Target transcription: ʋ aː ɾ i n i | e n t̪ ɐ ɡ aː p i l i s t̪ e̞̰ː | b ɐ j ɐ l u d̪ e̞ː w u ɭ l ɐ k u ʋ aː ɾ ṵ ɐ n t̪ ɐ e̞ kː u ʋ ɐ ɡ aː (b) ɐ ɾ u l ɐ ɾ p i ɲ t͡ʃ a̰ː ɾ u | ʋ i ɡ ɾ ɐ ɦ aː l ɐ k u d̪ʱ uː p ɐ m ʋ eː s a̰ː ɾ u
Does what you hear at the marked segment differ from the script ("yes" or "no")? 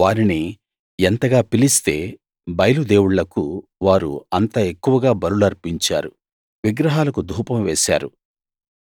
no